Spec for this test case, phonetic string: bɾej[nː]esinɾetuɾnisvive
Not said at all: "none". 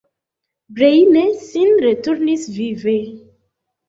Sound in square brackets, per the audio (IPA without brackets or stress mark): n